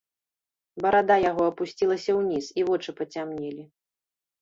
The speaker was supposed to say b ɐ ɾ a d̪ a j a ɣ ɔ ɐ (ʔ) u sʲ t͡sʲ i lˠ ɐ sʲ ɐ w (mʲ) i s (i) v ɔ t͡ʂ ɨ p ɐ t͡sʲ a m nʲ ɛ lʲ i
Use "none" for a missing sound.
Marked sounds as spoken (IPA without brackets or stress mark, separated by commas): p, nʲ, i